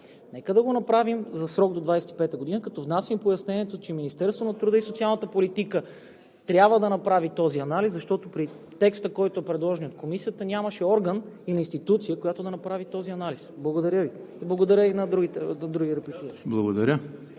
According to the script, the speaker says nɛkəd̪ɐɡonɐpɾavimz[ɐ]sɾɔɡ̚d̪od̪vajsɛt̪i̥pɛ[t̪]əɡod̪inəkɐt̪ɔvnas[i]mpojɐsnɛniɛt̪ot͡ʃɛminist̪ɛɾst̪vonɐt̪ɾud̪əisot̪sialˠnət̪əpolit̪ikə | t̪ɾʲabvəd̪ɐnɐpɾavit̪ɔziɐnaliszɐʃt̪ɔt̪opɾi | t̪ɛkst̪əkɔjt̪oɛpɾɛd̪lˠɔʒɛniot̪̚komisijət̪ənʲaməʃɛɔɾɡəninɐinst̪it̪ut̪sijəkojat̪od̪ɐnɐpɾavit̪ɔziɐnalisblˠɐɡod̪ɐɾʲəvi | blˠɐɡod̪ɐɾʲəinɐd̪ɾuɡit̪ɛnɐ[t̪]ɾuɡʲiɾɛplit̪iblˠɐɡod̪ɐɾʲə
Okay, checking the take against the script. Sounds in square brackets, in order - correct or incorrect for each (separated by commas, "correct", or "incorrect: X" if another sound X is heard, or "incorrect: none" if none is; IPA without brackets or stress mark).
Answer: correct, correct, correct, incorrect: d̪